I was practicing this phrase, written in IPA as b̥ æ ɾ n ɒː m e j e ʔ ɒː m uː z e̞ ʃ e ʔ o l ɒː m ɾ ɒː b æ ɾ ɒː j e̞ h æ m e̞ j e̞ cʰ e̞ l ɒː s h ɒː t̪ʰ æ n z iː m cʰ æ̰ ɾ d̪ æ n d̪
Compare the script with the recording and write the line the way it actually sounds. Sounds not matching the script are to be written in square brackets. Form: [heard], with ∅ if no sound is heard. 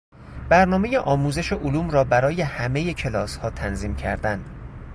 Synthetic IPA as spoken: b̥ æ ɾ n ɒː m e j e ʔ ɒː m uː z e̞ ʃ e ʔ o l [uː] m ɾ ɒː b æ ɾ ɒː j e̞ h æ m e̞ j e̞ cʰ e̞ l ɒː s h ɒː t̪ʰ æ n z iː m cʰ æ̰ ɾ d̪ æ n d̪